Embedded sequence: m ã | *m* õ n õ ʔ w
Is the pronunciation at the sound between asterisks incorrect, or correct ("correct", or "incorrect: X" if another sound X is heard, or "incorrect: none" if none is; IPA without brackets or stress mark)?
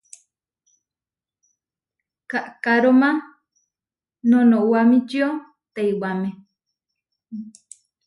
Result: incorrect: n